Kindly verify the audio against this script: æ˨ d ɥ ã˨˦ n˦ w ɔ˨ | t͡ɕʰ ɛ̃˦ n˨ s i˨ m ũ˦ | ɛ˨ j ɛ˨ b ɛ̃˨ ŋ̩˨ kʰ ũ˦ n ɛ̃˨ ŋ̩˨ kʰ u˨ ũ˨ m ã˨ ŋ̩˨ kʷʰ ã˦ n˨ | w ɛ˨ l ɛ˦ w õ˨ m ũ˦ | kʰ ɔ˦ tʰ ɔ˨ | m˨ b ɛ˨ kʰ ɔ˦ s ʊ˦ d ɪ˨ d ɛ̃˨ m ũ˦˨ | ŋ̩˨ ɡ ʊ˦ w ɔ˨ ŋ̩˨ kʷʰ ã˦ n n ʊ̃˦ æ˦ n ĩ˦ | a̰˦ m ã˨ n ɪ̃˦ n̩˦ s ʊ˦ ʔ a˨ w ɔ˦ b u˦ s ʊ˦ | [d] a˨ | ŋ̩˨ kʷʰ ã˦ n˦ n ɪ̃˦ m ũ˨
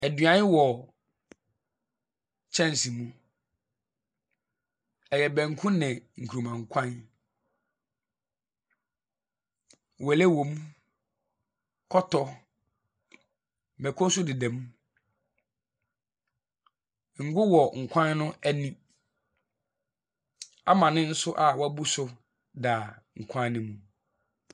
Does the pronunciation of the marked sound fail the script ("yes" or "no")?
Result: no